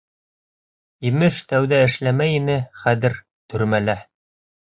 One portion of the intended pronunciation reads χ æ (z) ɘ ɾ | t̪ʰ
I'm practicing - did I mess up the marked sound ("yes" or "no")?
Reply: yes